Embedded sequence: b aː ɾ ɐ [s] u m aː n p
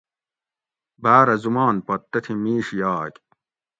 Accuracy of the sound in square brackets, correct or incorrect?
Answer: incorrect